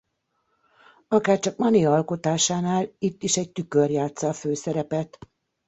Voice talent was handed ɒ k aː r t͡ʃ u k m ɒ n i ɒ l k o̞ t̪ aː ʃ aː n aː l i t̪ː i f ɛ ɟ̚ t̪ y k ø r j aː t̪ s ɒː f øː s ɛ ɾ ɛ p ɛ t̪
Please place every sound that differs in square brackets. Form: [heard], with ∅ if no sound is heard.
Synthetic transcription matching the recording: ɒ k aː r t͡ʃ [ɒ] k m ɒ n i ɒ l k o̞ t̪ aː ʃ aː n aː l i t̪ː i [ʃ] ɛ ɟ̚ t̪ y k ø r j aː t̪ s ɒː f øː s ɛ ɾ ɛ p ɛ t̪